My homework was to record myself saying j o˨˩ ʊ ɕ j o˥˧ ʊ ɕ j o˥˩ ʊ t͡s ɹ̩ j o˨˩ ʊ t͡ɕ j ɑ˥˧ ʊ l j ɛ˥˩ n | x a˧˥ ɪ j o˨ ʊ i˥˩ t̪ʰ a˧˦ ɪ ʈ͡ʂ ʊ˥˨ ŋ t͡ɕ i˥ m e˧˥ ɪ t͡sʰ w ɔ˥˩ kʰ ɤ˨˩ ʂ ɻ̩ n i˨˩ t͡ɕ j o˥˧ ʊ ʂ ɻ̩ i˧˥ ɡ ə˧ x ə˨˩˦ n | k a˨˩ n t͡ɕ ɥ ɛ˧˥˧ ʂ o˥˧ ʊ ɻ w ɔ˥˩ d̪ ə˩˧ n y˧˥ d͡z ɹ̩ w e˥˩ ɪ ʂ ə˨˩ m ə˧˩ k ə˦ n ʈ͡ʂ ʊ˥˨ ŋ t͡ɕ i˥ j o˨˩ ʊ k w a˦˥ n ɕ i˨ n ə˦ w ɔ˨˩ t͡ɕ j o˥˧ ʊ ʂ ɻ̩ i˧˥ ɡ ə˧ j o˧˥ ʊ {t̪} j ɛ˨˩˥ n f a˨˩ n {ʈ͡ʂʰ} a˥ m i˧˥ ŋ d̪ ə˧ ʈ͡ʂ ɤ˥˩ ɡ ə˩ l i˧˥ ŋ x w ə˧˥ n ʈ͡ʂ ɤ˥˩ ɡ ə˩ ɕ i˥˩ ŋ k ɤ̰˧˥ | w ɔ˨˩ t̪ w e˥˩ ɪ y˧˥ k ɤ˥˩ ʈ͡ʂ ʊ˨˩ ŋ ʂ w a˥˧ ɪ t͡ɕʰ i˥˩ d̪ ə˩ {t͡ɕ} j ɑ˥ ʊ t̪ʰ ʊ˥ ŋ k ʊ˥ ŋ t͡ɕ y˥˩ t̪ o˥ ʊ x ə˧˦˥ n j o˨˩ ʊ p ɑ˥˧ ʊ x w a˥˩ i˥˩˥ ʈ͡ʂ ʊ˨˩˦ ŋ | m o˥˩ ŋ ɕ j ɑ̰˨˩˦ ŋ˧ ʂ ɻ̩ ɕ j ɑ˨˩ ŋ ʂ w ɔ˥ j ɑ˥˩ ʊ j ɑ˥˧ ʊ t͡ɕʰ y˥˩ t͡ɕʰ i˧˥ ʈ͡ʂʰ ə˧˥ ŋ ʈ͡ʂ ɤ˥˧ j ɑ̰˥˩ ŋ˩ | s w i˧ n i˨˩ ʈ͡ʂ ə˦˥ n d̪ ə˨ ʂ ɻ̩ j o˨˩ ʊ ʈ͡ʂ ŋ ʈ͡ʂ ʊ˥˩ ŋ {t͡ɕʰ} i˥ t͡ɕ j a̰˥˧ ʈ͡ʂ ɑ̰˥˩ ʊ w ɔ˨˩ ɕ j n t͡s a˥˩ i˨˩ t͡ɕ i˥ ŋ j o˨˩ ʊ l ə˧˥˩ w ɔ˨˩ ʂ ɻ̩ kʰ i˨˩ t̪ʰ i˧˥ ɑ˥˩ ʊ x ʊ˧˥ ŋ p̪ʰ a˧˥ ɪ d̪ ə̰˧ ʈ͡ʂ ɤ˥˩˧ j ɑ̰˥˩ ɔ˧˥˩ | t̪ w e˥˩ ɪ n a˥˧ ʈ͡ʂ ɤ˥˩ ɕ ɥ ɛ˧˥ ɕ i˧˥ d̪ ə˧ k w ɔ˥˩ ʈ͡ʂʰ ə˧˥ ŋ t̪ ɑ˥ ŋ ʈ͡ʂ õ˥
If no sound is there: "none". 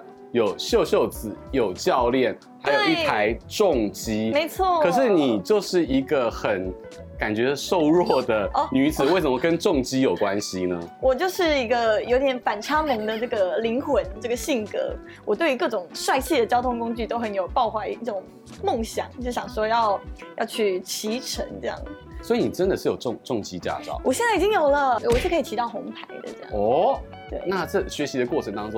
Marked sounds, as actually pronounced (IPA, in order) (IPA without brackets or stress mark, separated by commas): t̪, ʈ͡ʂʰ, t͡ɕ, t͡ɕ